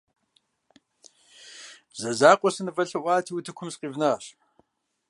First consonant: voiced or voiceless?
voiced